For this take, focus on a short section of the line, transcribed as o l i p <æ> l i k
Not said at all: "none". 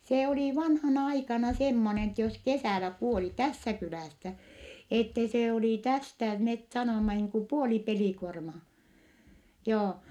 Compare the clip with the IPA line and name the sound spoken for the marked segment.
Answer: e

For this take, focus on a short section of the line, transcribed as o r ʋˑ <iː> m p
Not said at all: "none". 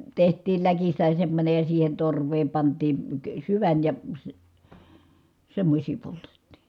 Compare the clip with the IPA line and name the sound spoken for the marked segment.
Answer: eː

